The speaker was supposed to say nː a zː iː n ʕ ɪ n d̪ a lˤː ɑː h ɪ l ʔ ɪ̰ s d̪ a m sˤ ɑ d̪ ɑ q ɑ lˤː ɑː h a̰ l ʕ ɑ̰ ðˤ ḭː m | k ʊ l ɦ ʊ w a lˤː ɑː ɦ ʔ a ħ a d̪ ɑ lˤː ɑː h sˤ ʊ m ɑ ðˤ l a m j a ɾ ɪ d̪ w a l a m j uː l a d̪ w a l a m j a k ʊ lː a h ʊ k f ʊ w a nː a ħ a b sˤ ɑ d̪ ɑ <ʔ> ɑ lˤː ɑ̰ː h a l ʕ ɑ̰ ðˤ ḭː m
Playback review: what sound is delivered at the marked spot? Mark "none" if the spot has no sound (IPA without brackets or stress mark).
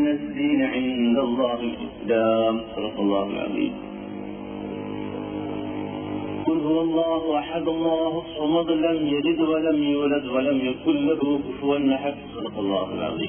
q